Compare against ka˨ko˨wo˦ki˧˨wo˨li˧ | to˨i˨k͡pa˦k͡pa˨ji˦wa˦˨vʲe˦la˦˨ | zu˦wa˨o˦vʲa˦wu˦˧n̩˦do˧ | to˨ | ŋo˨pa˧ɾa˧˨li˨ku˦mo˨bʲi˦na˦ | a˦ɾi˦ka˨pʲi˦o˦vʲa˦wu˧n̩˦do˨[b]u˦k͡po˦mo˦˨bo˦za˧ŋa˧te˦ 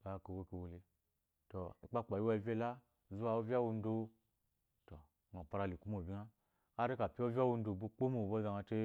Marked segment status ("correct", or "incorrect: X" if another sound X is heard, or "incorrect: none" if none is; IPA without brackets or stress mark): correct